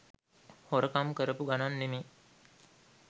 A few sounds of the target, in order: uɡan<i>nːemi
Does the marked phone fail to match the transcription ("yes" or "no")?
yes